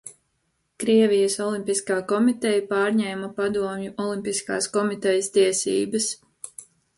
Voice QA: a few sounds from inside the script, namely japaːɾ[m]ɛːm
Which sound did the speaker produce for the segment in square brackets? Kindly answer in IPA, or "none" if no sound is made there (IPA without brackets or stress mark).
ɲ